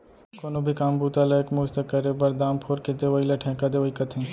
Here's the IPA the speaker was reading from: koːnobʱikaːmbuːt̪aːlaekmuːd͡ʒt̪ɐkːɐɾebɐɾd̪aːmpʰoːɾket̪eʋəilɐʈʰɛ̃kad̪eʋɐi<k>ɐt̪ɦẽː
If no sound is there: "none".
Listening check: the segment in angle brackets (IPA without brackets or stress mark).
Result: k